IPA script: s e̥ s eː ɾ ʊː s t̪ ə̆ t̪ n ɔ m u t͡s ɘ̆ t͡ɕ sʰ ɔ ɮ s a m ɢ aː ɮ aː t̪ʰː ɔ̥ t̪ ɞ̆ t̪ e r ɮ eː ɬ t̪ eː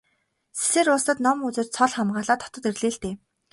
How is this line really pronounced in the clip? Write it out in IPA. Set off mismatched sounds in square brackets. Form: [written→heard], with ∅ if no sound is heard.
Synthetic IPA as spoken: s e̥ s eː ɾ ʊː s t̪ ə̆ t̪ n ɔ m u t͡s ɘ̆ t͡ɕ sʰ ɔ ɮ [s→χ] a m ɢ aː ɮ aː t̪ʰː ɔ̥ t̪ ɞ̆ t̪ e r ɮ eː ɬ t̪ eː